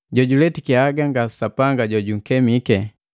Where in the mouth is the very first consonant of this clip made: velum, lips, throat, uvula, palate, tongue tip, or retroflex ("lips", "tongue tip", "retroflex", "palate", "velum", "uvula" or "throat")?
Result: palate